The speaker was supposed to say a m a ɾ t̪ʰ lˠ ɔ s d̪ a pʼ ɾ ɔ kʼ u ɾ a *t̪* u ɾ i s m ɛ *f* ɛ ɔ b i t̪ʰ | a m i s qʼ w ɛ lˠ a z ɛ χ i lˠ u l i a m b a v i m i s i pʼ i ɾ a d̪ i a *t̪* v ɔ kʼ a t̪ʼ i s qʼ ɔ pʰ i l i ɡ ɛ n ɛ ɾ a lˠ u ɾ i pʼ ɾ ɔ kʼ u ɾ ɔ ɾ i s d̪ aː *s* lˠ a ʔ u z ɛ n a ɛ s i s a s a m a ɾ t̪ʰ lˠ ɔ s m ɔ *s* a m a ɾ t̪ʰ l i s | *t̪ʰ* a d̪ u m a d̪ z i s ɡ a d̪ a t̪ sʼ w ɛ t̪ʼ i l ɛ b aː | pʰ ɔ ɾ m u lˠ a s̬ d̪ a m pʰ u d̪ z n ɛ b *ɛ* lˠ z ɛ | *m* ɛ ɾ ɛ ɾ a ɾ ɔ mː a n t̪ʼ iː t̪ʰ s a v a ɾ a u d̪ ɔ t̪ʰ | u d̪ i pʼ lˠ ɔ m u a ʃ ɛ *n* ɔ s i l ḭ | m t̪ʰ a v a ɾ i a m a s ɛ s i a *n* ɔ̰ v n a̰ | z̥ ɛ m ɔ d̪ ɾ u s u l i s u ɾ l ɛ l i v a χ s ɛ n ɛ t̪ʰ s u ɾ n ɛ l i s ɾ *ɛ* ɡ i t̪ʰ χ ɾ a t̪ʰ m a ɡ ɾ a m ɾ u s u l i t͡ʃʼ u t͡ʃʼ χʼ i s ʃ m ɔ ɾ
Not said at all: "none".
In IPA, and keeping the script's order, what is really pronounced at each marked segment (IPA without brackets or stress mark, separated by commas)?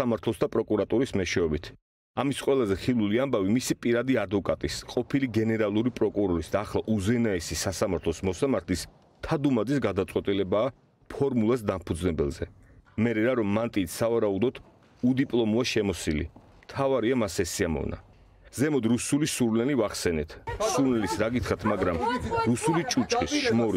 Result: t̪ʼ, ʃ, d̪, χ, s, t̪ʰ, ɛ, m, m, m, a